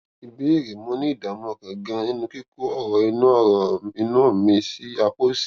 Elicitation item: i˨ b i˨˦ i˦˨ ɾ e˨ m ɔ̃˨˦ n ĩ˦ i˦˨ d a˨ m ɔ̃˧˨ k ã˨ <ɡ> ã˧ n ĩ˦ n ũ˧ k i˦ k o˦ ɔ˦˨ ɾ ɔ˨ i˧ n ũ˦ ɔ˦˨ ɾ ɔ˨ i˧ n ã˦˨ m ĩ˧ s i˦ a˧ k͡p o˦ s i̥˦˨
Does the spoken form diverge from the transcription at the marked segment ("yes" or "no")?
no